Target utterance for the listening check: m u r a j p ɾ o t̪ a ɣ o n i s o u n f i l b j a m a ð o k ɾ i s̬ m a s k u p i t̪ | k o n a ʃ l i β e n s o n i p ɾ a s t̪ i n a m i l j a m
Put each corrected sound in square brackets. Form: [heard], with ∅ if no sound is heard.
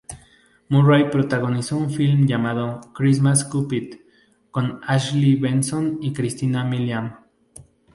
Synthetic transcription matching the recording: m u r a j p ɾ o t̪ a ɣ o n i s o u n f i l [m] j a m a ð o k ɾ i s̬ m a s k u p i t̪ | k o n a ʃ l i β e n s o n i [k] ɾ [i] s t̪ i n a m i l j a m